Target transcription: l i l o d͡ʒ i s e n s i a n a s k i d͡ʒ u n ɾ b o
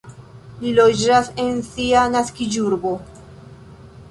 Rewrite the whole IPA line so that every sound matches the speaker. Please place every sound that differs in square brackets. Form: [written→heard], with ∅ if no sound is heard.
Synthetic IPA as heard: l i l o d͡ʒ [i→a] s e n s i a n a s k i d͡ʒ u [n→∅] ɾ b o